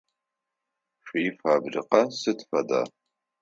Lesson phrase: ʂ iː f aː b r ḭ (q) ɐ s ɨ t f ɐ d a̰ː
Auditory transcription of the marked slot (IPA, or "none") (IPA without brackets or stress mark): q